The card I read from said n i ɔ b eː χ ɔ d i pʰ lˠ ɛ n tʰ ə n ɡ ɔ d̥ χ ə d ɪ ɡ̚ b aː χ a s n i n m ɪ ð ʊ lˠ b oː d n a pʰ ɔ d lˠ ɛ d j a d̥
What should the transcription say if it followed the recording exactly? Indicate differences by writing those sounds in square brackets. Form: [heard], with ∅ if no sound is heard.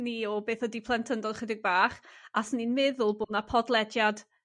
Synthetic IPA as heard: n i ɔ b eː [θ] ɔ d i pʰ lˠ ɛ n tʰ ə n [d] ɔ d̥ χ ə d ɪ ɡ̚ b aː χ a s n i n m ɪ ð ʊ lˠ b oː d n a pʰ ɔ d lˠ ɛ d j a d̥